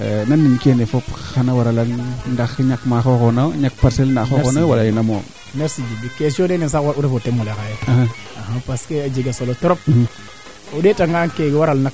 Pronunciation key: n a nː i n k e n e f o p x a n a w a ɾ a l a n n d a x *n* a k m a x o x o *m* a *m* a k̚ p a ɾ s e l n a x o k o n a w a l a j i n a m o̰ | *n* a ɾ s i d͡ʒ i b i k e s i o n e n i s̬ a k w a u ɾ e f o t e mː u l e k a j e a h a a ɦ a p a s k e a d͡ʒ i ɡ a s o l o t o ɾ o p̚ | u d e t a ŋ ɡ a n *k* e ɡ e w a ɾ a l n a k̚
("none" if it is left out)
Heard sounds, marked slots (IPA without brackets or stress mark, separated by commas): ɲ, n, ɲ, n, k